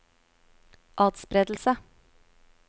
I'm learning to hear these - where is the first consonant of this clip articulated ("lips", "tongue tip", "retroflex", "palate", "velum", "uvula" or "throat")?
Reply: throat